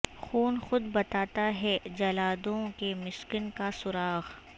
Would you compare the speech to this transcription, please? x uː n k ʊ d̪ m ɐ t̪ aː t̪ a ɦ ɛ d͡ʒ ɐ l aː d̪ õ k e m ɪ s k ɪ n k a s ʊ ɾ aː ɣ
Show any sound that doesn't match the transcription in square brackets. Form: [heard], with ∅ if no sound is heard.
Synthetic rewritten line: x uː n [x] ʊ d̪ [b] ɐ t̪ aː t̪ a ɦ ɛ d͡ʒ ɐ l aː d̪ õ k e m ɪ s k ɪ n k a s ʊ ɾ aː ɣ